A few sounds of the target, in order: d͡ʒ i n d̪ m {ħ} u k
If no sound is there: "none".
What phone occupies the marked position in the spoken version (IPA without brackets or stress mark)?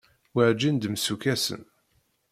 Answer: s